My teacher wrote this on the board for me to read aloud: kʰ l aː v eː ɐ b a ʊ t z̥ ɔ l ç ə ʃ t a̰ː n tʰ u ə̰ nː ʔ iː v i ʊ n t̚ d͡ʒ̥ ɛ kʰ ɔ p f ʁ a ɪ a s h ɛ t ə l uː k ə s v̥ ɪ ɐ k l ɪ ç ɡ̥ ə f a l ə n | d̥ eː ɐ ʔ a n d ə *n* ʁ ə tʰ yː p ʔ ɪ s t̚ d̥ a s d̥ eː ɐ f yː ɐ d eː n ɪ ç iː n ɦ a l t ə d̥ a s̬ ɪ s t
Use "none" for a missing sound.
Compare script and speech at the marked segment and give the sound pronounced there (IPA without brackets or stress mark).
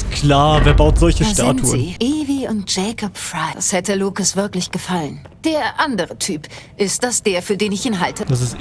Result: none